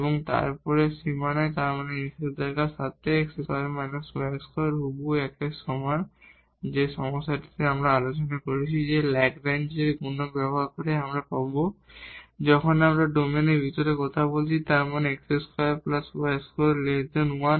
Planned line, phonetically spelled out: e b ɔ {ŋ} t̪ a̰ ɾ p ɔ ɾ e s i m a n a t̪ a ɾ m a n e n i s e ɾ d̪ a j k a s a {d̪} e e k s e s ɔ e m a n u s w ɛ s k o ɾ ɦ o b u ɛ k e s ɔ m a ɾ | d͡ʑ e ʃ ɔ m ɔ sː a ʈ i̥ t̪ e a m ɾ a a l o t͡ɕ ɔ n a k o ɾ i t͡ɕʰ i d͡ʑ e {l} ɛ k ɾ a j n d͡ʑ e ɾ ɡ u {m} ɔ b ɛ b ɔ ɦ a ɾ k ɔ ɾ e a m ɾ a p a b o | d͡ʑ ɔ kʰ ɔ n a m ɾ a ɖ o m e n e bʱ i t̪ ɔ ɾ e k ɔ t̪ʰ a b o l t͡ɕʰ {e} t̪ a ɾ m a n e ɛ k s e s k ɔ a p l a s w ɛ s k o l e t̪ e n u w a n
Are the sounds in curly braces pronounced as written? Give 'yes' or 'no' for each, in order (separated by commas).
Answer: yes, no, yes, no, no